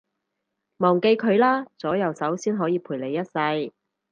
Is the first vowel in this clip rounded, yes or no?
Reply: yes